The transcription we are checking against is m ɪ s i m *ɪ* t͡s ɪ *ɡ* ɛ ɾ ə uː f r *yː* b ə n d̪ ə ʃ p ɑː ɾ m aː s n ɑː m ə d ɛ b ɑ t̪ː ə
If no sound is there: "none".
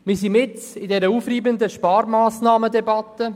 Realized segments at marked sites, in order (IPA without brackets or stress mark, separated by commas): ɪ, d, iː